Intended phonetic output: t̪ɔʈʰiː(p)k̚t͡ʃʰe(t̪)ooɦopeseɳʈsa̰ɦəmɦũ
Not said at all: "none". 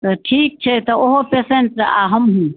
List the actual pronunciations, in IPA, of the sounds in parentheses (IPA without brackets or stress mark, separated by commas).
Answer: none, t̪